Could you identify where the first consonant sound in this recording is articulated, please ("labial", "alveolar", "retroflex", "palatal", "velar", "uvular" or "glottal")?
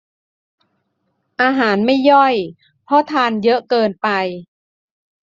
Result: glottal